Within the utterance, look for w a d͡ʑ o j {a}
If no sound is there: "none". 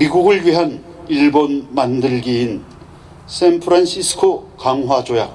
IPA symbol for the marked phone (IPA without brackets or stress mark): a